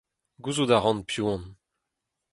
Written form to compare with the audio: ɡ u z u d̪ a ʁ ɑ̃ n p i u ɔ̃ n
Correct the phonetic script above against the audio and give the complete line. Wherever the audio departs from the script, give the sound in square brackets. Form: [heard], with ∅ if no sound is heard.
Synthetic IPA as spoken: ɡ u z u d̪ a ʁ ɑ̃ n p [j] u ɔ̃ n